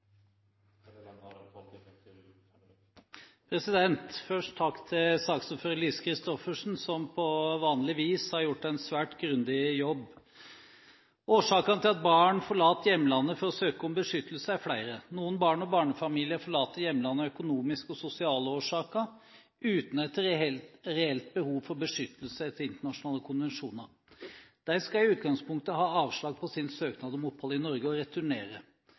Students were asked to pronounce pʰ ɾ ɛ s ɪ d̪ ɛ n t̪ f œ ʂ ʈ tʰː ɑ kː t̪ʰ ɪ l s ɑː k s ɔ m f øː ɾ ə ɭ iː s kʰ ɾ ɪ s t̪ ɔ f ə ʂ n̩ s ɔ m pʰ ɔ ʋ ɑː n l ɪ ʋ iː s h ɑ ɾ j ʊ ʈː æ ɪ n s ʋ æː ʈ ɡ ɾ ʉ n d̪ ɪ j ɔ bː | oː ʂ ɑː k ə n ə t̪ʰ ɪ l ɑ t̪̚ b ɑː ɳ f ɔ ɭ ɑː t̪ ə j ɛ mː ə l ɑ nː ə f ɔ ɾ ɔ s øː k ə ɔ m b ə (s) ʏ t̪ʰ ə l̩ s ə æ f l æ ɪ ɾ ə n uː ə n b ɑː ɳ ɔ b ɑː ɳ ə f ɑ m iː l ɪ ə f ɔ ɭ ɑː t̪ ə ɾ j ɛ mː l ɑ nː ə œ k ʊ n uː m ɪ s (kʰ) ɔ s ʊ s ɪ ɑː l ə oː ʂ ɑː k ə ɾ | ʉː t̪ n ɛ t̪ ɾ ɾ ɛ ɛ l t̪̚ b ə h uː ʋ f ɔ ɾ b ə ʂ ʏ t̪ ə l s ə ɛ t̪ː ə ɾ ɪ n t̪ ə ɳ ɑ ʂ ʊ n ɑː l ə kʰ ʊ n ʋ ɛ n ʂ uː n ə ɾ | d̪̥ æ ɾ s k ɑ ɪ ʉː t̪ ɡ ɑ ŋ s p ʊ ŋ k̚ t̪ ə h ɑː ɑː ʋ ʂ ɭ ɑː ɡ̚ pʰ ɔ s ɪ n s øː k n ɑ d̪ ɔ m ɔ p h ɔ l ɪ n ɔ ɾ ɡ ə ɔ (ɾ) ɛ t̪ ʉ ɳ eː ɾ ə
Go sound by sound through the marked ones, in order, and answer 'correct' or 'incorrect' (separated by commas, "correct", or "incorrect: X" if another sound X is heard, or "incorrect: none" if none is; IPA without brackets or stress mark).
incorrect: ʂ, incorrect: k, correct